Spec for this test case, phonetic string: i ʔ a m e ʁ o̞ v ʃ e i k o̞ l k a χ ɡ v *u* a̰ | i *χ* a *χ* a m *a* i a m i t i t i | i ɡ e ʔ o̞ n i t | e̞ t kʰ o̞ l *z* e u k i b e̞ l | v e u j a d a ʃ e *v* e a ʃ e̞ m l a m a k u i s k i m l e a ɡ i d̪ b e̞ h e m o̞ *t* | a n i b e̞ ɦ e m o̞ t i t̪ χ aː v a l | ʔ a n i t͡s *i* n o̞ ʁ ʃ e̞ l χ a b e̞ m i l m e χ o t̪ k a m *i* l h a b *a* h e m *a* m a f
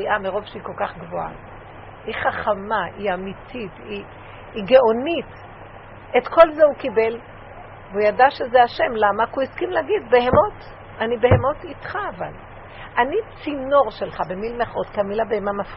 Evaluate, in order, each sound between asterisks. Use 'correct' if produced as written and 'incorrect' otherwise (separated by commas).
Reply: incorrect, correct, correct, correct, correct, incorrect, correct, correct, correct, incorrect, correct